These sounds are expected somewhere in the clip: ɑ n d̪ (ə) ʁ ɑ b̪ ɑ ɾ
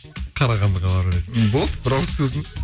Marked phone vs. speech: correct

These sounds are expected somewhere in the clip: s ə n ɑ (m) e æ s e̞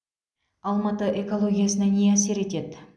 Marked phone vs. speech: incorrect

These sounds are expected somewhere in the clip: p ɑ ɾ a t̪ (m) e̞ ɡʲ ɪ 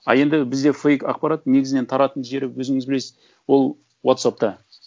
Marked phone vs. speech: incorrect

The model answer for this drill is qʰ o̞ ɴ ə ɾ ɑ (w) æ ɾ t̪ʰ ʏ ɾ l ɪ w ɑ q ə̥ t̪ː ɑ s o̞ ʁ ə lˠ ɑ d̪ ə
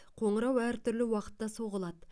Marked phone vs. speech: correct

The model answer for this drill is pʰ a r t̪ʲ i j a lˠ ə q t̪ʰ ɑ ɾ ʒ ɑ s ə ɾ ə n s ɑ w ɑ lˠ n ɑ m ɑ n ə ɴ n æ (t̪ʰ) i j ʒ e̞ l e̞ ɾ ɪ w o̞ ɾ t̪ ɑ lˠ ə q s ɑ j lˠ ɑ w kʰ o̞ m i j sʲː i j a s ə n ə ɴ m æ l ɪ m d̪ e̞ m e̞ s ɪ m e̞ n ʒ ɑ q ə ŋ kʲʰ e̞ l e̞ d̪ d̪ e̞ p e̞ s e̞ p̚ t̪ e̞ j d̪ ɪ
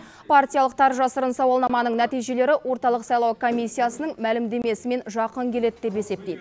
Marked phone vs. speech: incorrect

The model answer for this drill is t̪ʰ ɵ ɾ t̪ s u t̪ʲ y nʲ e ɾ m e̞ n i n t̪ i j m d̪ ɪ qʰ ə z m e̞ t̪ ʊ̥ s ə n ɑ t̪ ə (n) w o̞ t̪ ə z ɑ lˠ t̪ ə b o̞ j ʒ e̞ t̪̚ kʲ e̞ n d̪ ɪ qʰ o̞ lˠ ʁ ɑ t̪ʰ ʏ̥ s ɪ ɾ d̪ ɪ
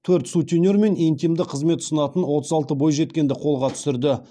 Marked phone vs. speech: correct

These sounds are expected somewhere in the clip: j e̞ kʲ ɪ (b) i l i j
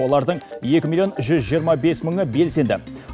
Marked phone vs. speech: incorrect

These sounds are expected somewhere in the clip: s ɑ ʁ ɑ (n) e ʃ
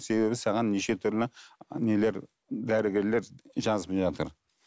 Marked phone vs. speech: incorrect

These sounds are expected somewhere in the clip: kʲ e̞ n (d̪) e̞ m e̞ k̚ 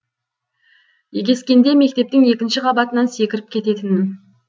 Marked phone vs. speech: correct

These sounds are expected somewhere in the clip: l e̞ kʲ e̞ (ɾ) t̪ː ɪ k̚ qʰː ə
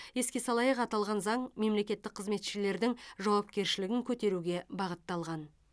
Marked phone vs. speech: incorrect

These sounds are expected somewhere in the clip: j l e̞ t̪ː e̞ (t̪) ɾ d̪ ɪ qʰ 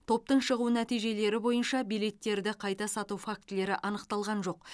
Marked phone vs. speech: incorrect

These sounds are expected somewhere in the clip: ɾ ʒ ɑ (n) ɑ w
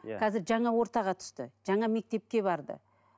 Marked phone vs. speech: incorrect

